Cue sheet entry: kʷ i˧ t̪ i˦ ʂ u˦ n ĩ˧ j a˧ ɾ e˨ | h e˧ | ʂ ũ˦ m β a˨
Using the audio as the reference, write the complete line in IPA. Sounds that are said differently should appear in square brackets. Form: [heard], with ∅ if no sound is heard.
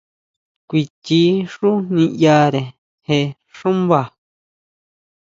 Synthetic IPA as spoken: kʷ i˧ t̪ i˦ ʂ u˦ n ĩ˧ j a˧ ɾ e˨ | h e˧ | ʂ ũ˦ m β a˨